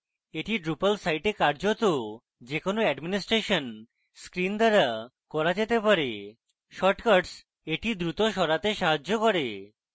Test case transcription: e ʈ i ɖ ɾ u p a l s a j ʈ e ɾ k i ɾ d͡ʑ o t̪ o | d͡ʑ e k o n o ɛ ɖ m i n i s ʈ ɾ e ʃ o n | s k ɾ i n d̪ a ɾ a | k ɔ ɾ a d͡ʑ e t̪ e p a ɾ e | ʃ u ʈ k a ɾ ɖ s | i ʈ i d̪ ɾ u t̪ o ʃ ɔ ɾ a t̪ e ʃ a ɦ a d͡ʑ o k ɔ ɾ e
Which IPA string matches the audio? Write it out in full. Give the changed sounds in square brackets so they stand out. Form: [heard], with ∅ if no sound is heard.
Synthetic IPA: e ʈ i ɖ ɾ u p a l s a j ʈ e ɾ k [a] ɾ d͡ʑ o t̪ o | d͡ʑ e k o n o ɛ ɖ m i n i s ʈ ɾ e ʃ o n | s k ɾ i n d̪ a ɾ a | k ɔ ɾ a d͡ʑ e t̪ e p a ɾ e | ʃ [ɔ] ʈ k a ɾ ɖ s | [e] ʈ i d̪ ɾ u t̪ o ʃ ɔ ɾ a t̪ e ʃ a ɦ a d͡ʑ o k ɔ ɾ e